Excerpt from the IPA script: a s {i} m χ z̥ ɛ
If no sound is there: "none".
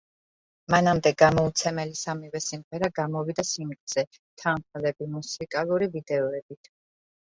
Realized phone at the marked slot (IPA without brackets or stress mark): i